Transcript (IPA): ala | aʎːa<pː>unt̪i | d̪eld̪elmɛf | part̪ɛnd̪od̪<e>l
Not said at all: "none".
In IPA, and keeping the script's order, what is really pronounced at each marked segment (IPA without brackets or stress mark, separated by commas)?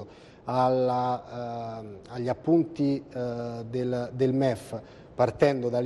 pː, a